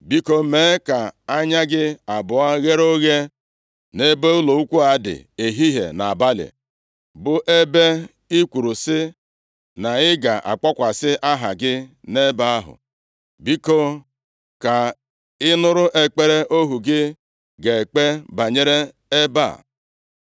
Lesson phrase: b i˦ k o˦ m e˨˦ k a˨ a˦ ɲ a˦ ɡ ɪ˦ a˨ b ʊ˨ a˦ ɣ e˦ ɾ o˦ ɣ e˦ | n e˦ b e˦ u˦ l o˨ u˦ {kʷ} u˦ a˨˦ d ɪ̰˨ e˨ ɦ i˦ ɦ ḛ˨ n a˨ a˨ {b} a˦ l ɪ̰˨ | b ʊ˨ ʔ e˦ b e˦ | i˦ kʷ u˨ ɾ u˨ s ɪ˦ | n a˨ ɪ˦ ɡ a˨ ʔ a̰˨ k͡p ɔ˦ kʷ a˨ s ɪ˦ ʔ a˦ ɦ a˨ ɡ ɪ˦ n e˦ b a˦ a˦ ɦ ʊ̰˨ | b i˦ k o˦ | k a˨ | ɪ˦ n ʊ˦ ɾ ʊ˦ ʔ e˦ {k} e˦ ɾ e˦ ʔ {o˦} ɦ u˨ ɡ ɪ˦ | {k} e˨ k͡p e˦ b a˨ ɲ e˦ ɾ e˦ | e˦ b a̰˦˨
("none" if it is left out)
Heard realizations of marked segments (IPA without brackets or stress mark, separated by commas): kʷ, b, k͡p, o˦, ɡ